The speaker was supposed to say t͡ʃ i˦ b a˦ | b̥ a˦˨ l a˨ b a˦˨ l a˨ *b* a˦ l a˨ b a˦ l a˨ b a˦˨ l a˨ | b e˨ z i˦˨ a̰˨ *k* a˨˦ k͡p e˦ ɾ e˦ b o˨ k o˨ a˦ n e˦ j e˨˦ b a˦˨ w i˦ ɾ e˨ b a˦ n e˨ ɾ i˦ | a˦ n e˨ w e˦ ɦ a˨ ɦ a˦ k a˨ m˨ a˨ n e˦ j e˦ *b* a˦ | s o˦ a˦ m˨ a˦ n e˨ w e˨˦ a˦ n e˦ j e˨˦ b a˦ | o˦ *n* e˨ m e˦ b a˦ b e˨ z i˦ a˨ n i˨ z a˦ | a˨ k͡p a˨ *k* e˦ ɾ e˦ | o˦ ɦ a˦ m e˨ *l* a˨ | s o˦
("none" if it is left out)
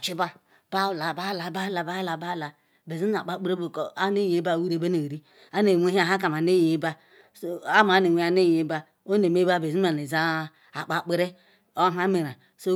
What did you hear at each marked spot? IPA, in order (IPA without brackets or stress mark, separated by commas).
b, k͡p, b, n, k͡p, ɾ